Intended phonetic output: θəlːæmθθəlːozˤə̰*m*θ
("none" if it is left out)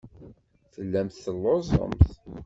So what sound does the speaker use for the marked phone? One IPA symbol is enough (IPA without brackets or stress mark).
m